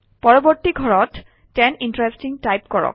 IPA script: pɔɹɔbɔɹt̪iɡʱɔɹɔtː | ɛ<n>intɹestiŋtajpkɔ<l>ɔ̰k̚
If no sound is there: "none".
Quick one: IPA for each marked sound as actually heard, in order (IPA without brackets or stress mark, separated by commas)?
n, ɹ